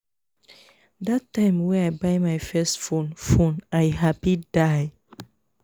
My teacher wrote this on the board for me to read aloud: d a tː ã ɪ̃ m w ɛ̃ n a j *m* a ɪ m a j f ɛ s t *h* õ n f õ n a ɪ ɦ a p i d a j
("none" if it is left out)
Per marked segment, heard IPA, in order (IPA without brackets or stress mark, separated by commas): b, f